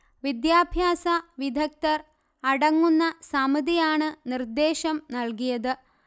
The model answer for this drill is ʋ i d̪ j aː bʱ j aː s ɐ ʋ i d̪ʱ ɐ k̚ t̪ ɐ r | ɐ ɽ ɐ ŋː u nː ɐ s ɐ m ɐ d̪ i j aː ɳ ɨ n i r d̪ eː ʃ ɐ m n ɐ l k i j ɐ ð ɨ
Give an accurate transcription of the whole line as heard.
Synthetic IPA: ʋ i d̪ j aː bʱ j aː s ɐ ʋ i d̪ʱ ɐ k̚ t̪ ɐ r | ɐ ɽ ɐ ŋː u nː ɐ s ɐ m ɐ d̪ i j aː ɳ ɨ n i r d̪ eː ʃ ɐ m n ɐ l k i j ɐ ð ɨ